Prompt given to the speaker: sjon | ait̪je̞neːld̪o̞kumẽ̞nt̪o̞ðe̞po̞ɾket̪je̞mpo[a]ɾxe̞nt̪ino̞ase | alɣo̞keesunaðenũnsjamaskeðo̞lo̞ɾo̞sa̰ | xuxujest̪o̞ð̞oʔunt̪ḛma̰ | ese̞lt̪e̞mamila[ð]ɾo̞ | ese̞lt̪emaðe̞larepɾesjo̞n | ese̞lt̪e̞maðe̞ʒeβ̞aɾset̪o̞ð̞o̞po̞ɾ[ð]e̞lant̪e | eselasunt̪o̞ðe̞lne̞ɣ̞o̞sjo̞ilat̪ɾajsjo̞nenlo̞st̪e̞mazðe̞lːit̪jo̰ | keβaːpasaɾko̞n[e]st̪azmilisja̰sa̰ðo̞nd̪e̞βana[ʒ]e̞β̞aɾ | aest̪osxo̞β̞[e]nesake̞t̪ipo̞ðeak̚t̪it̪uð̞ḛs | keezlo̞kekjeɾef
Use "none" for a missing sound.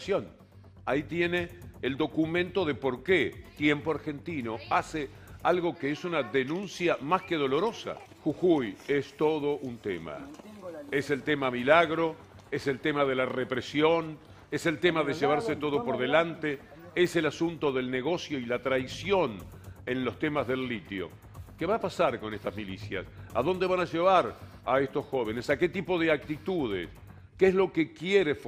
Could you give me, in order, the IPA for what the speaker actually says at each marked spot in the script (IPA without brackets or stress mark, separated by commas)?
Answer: a, ɣ, ð, e, ʒ, e